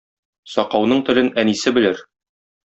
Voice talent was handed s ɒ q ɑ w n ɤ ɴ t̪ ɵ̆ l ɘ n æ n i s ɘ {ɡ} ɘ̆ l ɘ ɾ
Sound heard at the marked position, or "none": b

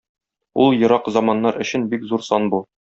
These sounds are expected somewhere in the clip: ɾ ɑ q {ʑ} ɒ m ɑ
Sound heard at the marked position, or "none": z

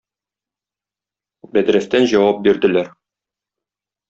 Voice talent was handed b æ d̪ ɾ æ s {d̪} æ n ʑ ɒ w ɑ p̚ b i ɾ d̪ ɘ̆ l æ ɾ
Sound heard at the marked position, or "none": t̪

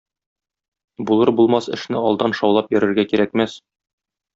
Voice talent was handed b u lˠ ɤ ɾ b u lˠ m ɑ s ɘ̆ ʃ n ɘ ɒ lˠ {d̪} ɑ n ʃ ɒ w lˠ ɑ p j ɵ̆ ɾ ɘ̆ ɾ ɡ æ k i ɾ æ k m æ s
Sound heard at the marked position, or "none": d̪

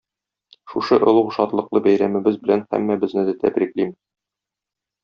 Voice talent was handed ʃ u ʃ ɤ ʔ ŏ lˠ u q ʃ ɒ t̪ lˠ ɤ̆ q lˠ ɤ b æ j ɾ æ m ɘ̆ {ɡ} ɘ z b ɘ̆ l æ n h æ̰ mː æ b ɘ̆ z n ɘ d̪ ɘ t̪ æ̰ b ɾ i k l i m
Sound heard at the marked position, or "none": b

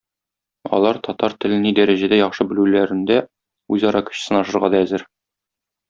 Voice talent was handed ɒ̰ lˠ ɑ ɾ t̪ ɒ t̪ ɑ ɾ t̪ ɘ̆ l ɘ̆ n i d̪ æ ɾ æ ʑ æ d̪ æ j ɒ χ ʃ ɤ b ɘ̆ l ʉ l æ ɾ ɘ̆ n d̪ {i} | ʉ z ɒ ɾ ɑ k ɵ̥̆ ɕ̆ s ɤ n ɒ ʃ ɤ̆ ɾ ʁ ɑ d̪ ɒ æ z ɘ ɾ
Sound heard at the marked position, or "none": æ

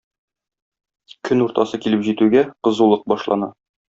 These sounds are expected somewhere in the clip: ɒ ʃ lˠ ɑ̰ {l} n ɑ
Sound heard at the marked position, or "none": none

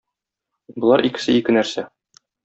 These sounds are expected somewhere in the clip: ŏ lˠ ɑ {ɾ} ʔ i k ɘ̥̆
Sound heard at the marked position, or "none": ɾ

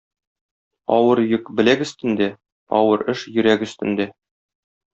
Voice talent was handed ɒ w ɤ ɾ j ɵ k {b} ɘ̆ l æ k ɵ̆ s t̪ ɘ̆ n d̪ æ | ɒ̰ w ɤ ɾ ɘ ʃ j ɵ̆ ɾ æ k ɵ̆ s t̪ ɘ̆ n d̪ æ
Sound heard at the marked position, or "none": b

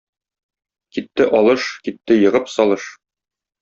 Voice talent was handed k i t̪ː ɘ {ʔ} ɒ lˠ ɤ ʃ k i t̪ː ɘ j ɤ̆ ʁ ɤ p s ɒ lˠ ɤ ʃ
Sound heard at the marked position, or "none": ʔ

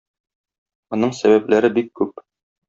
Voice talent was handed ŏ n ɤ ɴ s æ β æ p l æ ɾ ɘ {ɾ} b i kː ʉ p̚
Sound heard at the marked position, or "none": none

